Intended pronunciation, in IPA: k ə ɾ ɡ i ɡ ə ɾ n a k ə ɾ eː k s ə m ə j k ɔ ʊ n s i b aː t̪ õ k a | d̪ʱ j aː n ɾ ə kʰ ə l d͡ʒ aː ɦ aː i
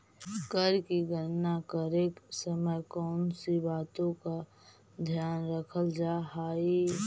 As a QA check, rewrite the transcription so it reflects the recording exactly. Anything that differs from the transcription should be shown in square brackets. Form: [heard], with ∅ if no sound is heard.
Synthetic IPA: k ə ɾ [k] i ɡ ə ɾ n a k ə ɾ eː k s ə m ə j k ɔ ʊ n s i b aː t̪ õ k a | d̪ʱ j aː n ɾ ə kʰ ə l d͡ʒ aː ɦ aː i

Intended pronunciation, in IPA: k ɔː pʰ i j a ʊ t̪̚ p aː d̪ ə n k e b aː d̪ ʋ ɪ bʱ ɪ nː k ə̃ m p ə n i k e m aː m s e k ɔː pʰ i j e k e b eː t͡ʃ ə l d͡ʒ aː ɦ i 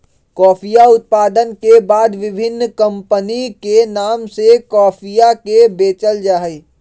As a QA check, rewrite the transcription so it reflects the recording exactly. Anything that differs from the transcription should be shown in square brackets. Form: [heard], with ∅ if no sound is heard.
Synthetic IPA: k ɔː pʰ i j a ʊ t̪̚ p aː d̪ ə n k e b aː d̪ ʋ ɪ bʱ ɪ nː k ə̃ m p ə n i k e [n] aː m s e k ɔː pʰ i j [a] k e b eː t͡ʃ ə l d͡ʒ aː ɦ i

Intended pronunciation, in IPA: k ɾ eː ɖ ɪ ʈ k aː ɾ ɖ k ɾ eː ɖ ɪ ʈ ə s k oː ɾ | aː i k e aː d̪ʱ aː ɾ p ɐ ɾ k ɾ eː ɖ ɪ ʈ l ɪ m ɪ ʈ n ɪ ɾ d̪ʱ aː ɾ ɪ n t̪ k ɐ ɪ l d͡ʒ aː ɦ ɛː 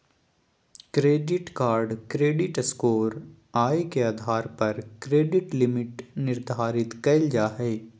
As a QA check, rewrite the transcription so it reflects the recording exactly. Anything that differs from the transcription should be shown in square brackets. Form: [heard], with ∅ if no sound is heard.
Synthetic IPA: k ɾ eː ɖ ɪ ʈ k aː ɾ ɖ k ɾ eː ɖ ɪ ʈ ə s k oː ɾ | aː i k e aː d̪ʱ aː ɾ p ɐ ɾ k ɾ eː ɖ ɪ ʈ l ɪ m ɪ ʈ n ɪ ɾ d̪ʱ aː ɾ ɪ [∅] t̪ k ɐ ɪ l d͡ʒ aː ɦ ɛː

